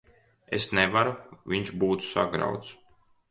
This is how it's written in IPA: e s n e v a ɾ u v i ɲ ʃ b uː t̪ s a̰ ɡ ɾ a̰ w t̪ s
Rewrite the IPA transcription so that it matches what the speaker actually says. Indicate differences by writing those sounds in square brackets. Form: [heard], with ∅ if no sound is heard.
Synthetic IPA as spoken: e s n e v a ɾ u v i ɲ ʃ b uː t̪ s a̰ ɡ ɾ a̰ w t̪ s